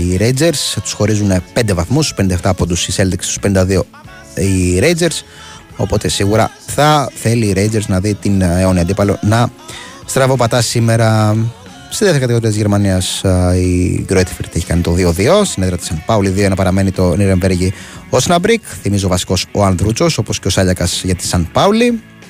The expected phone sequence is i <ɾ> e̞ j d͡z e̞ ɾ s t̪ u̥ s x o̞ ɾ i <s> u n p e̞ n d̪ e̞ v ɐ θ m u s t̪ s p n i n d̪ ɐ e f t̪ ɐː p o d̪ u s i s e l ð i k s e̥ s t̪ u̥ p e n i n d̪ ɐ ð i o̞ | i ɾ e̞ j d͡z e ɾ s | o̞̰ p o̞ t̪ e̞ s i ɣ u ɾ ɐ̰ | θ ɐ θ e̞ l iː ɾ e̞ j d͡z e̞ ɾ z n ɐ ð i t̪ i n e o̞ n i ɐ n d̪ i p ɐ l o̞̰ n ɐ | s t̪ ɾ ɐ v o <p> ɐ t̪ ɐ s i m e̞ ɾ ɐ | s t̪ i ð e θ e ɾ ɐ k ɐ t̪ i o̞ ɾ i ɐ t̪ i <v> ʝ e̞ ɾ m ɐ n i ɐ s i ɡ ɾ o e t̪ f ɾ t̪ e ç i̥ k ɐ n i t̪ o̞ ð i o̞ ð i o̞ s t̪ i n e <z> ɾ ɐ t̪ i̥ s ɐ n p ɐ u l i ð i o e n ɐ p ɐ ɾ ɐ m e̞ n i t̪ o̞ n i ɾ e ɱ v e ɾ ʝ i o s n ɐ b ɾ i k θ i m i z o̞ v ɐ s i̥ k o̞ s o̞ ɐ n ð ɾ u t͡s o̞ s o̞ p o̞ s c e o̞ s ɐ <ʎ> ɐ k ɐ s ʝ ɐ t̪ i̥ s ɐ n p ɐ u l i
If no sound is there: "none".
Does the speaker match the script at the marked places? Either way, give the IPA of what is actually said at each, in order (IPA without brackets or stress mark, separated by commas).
ɾ, z, p, z, ð, ʎ